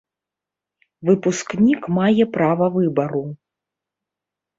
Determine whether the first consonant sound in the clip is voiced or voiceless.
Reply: voiced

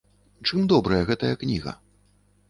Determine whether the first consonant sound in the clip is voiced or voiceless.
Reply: voiceless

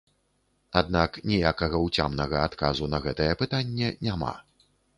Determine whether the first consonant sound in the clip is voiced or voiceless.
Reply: voiced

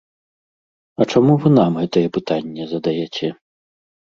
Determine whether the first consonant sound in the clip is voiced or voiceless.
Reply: voiceless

